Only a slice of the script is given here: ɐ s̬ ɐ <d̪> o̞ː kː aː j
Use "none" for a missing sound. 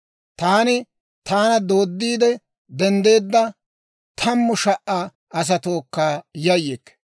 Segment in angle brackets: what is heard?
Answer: t̪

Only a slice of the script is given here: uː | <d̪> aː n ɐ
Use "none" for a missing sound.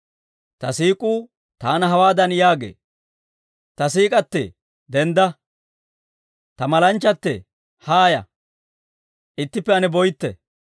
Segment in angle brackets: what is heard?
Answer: t̪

